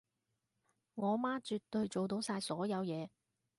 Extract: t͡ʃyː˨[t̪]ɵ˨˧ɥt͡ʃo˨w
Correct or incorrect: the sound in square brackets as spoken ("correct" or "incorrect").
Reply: correct